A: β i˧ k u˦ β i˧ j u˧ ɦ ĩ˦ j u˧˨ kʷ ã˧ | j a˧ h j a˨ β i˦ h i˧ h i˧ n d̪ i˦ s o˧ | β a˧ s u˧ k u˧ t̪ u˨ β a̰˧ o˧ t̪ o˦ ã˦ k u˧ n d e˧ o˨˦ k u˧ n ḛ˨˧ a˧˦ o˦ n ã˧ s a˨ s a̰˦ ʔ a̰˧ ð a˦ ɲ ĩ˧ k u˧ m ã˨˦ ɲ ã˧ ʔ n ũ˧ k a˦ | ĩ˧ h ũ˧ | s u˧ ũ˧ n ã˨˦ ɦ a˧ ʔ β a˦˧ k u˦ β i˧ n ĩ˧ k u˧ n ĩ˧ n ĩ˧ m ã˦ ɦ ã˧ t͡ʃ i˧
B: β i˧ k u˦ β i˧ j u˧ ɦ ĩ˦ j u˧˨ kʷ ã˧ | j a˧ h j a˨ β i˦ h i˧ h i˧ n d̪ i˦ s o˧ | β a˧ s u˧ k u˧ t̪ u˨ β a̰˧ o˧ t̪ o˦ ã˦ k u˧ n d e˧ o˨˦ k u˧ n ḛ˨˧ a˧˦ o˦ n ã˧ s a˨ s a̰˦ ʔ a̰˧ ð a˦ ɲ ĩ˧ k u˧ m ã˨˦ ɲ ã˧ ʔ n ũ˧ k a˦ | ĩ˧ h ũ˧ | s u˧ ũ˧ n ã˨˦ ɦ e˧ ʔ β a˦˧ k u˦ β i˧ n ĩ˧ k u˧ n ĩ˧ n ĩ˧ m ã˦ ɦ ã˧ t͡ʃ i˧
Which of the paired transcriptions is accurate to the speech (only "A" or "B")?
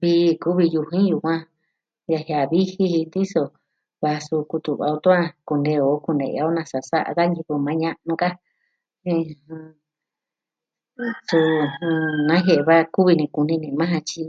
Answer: B